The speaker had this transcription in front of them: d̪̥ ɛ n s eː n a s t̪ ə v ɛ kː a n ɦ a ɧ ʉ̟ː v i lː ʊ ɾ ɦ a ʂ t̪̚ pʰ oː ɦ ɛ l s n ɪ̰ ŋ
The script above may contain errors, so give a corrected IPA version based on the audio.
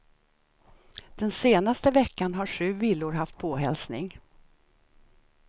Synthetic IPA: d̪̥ ɛ n s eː n a s t̪ ə v ɛ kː a n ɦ a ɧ ʉ̟ː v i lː ʊ ɾ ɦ a f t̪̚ pʰ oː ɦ ɛ l s n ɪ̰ ŋ